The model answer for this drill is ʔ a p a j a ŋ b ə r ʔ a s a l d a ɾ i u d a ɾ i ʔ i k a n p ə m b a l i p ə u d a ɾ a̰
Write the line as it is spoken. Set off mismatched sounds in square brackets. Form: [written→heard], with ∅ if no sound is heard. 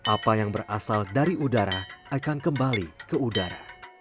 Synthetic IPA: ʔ a p a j a ŋ b ə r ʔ a s a l d a ɾ i u d a ɾ [i→a] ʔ [i→a] k a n [p→k] ə m b a l i [p→k] ə u d a ɾ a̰